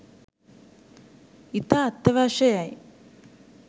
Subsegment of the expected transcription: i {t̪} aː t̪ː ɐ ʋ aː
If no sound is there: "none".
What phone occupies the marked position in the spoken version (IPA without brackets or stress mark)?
t̪